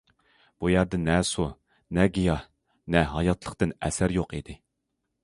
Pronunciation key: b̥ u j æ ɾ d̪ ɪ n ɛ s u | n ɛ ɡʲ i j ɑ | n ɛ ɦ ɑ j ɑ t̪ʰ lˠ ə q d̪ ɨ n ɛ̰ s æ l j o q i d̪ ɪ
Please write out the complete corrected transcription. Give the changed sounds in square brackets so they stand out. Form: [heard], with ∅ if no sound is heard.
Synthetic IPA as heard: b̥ u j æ ɾ d̪ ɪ n ɛ s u | n ɛ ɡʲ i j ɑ | n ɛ ɦ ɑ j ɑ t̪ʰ lˠ ə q [t̪] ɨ n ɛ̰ s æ [ɾ] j o q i d̪ ɪ